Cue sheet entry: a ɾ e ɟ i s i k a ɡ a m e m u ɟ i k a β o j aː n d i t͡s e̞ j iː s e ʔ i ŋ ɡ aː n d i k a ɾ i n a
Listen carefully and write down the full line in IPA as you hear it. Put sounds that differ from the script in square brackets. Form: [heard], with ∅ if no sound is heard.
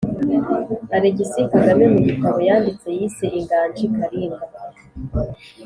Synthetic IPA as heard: a ɾ e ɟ i s i k a ɡ a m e m u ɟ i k a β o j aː n d i t͡s e̞ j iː s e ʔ i ŋ ɡ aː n [d͡ʒ] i k a ɾ i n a

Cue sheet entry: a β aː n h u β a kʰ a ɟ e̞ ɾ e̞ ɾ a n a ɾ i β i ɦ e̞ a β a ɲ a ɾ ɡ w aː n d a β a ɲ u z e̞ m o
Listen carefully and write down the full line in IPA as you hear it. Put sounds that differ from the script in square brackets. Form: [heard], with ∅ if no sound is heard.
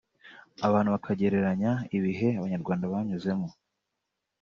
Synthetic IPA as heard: a β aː n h u β a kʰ a ɟ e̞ ɾ e̞ ɾ a [ɲ] a [∅] i β i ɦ e̞ a β a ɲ a ɾ ɡ w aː n d a β a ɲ u z e̞ m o

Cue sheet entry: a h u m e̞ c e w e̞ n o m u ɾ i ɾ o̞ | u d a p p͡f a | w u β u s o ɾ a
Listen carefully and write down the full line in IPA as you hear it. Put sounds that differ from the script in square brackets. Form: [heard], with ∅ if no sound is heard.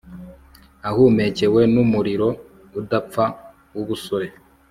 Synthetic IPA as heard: a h u m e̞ c e w e̞ n [u] m u ɾ i ɾ o̞ | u d a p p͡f a | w u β u s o ɾ [e]

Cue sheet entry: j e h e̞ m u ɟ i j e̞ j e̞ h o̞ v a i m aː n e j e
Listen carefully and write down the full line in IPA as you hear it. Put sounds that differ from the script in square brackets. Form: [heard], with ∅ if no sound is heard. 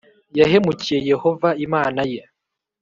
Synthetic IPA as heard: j [a] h e̞ m u [c] i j e̞ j e̞ h o̞ v a i m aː n [a] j e

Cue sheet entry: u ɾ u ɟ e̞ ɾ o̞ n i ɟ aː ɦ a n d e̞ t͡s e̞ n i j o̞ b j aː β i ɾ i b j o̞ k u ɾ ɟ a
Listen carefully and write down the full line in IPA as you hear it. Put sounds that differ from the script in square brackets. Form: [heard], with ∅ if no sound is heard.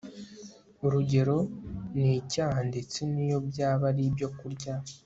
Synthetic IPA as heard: u ɾ u ɟ e̞ ɾ o̞ n i [c] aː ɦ a n d e̞ t͡s e̞ n i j o̞ b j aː β [a] ɾ i b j o̞ k u ɾ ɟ a

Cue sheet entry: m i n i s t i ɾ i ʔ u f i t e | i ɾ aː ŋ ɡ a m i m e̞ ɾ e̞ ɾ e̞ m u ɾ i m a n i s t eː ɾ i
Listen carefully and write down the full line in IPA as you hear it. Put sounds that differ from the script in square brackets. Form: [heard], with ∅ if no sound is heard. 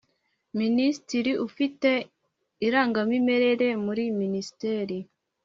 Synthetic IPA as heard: m i n i s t i ɾ i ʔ u f i t e | i ɾ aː ŋ ɡ a m i m e̞ ɾ e̞ ɾ e̞ m u ɾ i m [i] n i s t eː ɾ i

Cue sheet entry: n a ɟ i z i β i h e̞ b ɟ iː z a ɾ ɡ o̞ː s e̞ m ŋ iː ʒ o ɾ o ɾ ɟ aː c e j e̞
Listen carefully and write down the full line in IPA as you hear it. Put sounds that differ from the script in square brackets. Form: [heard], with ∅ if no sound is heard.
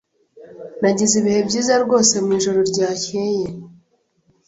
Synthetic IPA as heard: n a ɟ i z i β i h e̞ b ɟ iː z a ɾ ɡ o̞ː s e̞ m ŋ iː ʒ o ɾ o ɾ ɟ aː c e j e̞

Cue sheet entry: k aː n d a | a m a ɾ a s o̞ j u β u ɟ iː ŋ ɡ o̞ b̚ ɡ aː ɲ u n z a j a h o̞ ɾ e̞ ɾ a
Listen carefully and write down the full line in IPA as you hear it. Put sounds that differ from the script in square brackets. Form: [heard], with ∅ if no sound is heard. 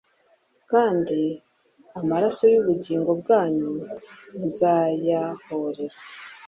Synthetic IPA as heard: k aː n d [i] | a m a ɾ a s o̞ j u β u ɟ iː ŋ ɡ o̞ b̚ ɡ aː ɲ u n z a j a h o̞ ɾ e̞ ɾ a

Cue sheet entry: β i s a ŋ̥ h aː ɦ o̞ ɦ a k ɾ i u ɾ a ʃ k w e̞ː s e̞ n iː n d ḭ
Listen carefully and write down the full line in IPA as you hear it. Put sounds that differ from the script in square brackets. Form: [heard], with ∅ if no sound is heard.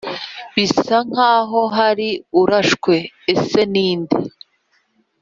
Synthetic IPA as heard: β i s a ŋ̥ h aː ɦ o̞ ɦ a [∅] ɾ i u ɾ a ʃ k w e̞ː s e̞ n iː n d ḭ

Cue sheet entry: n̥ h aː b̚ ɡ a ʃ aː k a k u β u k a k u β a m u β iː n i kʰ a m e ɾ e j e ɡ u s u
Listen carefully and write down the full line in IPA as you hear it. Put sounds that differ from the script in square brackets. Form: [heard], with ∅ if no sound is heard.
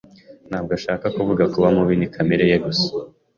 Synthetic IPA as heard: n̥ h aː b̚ ɡ a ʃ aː k a k u [v] u [ɡ] a k u β a m u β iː n i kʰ a m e ɾ e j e ɡ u s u

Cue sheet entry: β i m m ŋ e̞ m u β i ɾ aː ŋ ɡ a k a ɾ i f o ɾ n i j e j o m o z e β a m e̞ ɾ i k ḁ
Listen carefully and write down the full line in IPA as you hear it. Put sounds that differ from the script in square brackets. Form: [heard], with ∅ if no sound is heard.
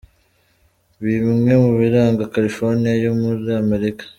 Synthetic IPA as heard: β i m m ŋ e̞ m u β i ɾ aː ŋ ɡ a k a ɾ i f o ɾ n i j [a] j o m [u] z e [∅] a m e̞ ɾ i k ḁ

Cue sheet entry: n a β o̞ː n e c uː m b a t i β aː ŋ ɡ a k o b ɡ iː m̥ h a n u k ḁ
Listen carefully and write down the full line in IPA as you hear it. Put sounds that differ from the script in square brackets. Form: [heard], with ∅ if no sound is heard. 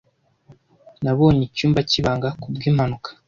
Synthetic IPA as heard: n a β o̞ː [ɲ] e c uː m b a [c] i β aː ŋ ɡ a k [u] b ɡ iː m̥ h a n u k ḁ

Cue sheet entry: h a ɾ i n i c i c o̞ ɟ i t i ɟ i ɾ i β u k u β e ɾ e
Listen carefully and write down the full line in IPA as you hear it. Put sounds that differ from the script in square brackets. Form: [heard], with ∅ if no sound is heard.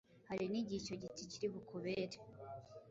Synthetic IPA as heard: h a ɾ i n i [ɟ] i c o̞ ɟ i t i [c] i ɾ i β u k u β e ɾ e

